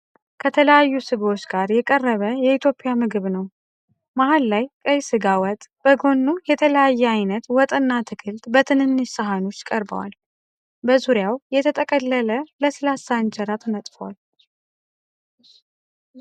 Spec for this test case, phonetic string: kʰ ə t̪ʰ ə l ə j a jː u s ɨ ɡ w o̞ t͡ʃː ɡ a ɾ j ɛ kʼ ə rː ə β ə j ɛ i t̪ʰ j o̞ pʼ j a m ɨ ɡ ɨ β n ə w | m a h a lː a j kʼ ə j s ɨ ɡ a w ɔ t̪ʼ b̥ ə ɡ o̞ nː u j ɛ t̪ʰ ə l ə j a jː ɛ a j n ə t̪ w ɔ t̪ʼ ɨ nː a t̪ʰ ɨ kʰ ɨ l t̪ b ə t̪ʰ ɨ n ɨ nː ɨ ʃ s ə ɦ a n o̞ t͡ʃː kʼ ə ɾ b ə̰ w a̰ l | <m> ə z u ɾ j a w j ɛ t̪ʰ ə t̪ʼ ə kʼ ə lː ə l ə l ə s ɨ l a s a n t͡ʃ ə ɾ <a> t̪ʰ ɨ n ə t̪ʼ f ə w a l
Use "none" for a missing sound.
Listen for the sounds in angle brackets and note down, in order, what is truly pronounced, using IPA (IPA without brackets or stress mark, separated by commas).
b, a